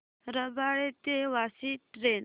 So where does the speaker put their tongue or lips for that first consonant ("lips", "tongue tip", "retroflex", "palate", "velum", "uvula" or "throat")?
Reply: tongue tip